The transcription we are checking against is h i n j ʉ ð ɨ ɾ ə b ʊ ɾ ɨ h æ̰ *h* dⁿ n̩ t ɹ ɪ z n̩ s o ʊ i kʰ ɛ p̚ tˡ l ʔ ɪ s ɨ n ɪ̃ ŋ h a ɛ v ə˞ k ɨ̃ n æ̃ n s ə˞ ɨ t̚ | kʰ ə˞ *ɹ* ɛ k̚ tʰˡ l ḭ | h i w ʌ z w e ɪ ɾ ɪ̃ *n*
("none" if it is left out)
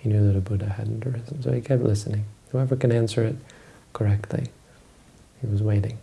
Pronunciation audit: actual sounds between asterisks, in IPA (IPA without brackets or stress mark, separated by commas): none, none, ŋ